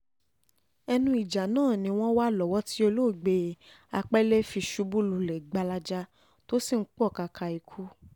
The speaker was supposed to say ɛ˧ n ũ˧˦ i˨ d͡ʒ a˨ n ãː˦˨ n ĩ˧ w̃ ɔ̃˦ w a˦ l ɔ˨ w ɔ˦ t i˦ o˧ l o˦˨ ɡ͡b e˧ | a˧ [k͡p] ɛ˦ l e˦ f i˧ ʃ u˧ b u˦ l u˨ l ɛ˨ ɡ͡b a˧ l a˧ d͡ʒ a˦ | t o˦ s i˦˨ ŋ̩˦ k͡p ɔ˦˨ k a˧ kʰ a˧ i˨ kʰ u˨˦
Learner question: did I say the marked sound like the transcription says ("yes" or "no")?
yes